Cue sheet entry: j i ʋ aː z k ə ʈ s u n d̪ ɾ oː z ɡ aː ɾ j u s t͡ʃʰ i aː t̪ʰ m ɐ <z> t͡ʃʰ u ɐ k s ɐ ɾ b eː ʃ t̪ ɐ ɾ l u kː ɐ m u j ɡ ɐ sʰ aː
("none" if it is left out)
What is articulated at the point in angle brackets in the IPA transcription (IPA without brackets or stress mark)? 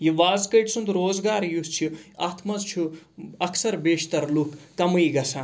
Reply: z